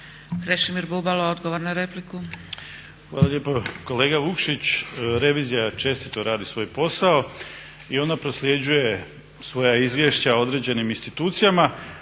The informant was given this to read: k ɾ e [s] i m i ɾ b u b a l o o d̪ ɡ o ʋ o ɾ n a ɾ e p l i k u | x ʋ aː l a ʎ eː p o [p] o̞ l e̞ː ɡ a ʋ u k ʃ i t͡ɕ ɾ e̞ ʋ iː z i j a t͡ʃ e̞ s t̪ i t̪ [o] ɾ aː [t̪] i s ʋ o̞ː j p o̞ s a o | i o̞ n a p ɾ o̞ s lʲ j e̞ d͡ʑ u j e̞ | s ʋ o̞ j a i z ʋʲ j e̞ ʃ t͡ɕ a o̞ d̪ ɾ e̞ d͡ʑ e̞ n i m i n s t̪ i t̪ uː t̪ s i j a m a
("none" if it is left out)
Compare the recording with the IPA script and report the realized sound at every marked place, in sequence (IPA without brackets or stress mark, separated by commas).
ʃ, k, o, d̪